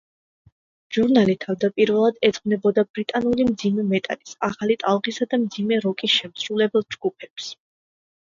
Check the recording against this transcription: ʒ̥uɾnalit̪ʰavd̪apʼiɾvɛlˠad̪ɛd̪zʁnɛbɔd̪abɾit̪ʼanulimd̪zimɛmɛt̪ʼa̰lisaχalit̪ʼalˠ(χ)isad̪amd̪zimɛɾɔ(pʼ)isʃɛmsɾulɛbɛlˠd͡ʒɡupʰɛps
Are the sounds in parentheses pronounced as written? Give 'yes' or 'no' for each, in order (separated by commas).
no, no